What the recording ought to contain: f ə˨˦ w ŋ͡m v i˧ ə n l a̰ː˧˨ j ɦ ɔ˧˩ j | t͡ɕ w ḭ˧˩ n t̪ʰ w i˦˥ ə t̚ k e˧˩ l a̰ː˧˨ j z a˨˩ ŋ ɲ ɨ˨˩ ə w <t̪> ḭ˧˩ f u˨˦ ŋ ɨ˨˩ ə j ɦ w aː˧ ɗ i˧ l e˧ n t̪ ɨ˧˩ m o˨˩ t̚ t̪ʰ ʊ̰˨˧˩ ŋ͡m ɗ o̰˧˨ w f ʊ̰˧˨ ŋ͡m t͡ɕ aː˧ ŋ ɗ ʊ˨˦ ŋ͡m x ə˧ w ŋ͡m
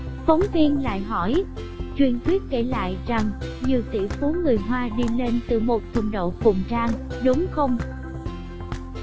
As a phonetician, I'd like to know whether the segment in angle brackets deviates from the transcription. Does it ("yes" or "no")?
no